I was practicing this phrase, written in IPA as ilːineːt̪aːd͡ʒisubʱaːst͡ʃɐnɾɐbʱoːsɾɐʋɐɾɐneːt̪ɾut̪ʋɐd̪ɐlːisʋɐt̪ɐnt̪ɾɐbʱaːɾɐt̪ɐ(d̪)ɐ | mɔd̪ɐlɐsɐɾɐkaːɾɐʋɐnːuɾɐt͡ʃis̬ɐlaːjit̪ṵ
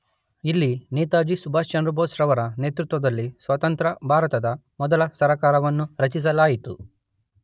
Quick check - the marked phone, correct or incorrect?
correct